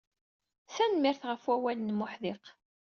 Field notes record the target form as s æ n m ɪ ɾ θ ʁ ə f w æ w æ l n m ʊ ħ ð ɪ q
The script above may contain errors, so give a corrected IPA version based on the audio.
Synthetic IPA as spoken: s æ n m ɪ ɾ θ ʁ ə f w æ w æ l n m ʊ ħ ð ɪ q